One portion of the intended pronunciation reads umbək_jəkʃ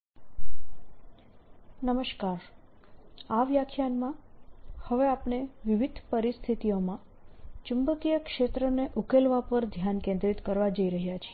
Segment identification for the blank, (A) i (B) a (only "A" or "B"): A